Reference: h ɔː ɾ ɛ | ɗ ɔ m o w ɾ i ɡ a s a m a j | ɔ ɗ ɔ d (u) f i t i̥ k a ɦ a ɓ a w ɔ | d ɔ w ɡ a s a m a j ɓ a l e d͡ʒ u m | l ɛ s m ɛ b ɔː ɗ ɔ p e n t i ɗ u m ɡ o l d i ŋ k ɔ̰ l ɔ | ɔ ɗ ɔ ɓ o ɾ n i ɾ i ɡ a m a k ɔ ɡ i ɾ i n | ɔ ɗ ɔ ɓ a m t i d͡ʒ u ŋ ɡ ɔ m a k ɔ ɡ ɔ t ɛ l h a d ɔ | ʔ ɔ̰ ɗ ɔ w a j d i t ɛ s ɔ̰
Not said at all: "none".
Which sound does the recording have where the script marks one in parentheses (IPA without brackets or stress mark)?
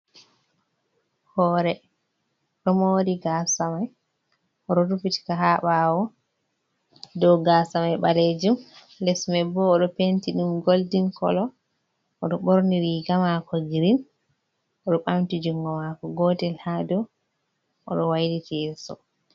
u